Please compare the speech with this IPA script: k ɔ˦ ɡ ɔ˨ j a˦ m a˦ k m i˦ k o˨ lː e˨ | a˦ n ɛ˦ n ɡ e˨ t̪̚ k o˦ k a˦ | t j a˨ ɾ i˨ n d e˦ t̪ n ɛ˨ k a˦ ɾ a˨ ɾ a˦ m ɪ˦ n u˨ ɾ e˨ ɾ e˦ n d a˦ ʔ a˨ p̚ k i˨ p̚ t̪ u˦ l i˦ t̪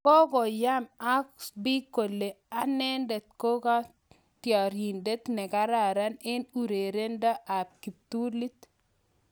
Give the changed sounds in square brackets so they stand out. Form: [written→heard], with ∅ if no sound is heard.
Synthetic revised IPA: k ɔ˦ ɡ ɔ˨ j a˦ m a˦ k [m→b] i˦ k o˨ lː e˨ | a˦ n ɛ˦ n [ɡ→d] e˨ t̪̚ k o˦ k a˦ | t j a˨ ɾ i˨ n d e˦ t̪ n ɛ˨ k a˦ ɾ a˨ ɾ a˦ [m→n] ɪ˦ n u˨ ɾ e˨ ɾ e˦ n d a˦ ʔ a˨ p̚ k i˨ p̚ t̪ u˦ l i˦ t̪